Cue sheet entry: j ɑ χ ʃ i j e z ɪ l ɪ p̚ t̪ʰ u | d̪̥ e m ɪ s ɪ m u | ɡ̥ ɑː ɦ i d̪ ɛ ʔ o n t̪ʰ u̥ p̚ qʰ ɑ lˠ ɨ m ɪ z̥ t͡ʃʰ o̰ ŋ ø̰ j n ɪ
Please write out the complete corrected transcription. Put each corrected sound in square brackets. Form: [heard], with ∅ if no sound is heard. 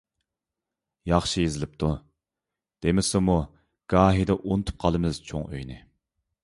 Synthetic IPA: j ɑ χ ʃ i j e z ɪ l ɪ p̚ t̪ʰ u | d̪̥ e m ɪ s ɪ m u | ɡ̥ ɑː ɦ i d̪ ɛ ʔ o n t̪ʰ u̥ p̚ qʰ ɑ lˠ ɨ m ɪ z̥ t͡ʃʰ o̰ ŋ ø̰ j n ɪ